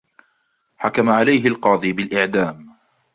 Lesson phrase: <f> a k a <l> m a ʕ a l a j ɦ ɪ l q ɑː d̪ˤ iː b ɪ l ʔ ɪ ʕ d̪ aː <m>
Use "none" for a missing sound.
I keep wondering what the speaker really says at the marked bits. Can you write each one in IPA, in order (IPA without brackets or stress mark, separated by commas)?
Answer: ħ, none, m